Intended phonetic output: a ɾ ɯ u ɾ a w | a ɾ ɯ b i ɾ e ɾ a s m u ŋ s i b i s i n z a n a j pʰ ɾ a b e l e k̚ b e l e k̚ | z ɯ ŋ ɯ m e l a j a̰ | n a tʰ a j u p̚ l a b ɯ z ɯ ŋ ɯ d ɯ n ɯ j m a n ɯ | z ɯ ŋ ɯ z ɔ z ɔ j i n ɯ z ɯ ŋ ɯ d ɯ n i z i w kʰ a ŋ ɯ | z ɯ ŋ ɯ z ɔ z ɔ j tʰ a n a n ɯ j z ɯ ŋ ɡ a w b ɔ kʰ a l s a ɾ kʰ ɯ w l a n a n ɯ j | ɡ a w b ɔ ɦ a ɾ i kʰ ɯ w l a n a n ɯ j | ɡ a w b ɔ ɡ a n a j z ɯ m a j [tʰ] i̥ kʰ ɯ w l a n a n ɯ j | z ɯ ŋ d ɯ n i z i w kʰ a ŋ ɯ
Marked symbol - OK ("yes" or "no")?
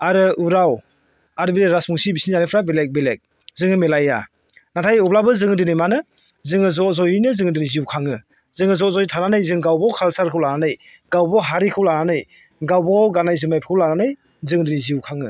no